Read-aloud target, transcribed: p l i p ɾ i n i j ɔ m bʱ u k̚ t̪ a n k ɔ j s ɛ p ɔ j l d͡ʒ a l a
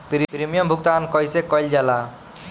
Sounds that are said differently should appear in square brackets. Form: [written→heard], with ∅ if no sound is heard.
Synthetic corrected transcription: p [l→ɾ] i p ɾ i [n→m] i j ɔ m bʱ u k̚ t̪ a n k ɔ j s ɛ [p→k] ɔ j l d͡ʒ a l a